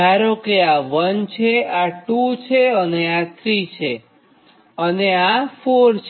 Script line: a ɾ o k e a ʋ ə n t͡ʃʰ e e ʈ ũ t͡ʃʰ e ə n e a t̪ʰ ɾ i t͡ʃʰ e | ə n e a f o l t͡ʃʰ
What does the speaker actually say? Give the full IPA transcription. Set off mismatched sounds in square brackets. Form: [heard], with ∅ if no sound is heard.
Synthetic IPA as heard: a ɾ o k e a ʋ ə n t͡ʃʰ e [a] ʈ [u] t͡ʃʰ e ə n e a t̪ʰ ɾ i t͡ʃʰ e | ə n e a f o [ɾ] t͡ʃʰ